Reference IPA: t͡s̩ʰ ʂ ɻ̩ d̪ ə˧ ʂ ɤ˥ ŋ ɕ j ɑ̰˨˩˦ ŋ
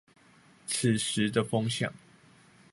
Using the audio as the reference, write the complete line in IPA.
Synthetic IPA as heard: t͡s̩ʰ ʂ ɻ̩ d̪ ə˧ f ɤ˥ ŋ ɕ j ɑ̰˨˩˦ ŋ